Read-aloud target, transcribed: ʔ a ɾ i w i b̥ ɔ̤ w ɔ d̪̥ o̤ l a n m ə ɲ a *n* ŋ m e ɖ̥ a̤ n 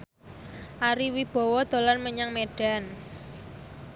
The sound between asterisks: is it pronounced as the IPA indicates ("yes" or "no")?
no